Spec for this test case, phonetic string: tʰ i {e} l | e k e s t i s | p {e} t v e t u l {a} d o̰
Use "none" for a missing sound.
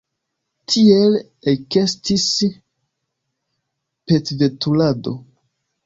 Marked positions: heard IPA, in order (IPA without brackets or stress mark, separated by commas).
e, e, a